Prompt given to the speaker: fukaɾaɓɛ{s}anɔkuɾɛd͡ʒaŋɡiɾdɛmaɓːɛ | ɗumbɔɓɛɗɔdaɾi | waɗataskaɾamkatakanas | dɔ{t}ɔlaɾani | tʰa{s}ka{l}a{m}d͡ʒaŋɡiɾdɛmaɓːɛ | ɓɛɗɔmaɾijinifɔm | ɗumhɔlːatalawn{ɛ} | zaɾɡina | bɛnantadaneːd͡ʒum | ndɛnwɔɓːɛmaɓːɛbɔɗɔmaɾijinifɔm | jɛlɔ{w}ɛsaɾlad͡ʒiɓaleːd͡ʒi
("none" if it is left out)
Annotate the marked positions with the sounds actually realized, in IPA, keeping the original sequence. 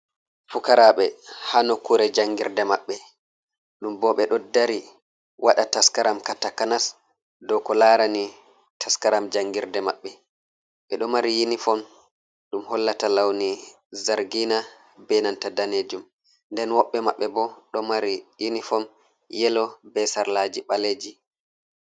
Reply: h, k, s, ɾ, m, i, b

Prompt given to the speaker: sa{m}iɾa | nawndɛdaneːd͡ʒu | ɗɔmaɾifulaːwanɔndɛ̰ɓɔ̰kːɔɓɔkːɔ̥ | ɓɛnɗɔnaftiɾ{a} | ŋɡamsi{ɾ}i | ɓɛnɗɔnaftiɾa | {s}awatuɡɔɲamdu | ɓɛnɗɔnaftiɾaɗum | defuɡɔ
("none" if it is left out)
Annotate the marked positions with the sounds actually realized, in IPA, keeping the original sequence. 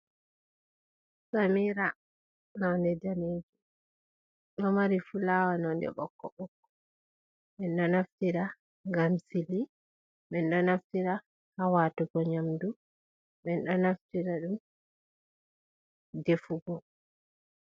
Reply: m, a, l, h

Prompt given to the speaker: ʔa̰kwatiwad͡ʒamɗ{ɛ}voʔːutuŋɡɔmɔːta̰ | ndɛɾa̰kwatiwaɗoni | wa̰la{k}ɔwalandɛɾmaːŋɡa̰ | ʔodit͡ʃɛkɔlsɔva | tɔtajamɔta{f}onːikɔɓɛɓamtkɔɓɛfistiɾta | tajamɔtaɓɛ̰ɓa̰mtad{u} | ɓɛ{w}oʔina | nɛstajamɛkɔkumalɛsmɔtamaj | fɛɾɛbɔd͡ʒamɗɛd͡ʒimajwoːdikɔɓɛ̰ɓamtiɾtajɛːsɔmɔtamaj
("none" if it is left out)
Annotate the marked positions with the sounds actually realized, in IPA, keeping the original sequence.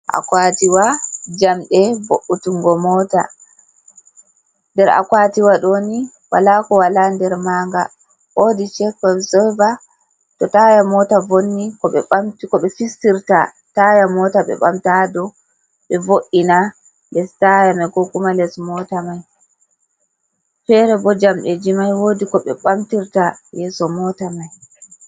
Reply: ɛ, k, v, ɔ, v

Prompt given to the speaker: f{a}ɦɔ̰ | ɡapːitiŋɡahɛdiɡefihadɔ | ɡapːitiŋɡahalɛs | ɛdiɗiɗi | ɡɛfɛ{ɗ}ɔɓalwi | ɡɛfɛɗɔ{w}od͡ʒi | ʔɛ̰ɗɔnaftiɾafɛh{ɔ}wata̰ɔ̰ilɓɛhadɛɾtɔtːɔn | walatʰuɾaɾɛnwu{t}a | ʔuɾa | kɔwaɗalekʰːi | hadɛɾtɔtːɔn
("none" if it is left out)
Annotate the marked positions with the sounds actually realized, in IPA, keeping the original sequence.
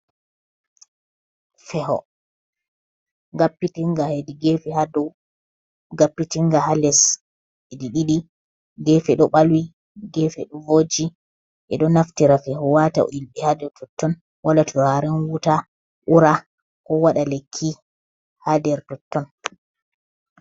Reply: ɛ, ɗ, v, ɔ, t

